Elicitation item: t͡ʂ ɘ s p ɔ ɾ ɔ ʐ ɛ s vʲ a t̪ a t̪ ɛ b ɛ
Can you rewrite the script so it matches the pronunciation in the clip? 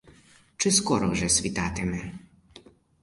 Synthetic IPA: t͡ʂ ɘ s k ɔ ɾ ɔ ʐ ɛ s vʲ i t̪ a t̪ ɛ m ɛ